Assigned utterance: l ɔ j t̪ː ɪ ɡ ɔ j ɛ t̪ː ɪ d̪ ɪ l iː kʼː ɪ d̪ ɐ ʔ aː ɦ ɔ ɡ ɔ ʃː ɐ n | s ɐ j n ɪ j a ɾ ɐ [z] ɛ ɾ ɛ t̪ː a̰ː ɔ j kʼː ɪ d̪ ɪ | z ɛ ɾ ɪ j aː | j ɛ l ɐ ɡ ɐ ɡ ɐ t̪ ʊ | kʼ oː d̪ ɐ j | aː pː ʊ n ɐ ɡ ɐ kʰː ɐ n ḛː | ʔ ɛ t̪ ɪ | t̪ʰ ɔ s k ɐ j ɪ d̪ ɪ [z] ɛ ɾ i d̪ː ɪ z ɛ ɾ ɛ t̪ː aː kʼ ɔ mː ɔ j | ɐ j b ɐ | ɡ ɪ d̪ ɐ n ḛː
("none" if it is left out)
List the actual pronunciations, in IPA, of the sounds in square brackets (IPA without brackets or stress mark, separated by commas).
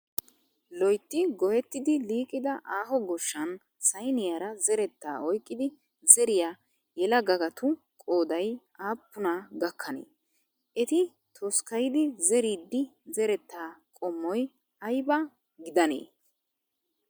z, z